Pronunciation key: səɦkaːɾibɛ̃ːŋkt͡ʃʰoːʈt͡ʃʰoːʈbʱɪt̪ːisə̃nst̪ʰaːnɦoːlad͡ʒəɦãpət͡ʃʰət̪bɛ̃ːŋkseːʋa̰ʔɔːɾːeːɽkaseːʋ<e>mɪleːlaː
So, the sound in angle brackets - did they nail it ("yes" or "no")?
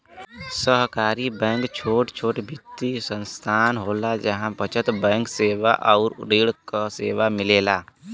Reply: no